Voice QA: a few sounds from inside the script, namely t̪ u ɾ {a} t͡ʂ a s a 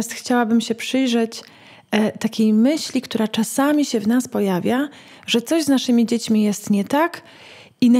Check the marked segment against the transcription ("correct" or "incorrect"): correct